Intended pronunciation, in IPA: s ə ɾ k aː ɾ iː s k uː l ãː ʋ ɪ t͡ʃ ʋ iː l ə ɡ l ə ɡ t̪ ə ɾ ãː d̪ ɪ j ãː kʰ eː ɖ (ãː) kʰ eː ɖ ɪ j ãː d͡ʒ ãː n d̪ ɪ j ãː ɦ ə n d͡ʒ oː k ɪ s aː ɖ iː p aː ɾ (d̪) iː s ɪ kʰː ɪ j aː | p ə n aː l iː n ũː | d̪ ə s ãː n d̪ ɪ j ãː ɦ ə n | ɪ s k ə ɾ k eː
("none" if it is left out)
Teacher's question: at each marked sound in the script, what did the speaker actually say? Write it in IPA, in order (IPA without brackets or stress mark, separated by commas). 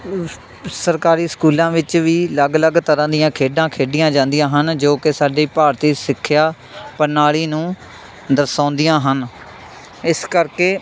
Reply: ãː, t̪